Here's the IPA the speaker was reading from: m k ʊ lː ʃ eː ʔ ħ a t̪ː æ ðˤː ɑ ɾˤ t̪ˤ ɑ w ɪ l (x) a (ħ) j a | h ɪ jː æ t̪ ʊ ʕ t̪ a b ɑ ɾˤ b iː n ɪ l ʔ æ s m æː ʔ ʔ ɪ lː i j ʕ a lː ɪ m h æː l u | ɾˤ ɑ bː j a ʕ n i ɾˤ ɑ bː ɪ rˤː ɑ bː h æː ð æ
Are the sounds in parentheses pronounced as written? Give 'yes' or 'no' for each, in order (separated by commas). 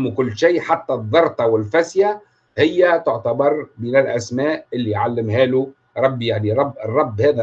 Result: no, no